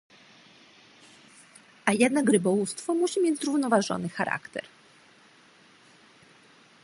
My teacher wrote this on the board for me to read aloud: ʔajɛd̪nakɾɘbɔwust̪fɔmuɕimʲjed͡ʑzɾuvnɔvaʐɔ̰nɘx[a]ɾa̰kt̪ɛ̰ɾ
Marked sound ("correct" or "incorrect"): correct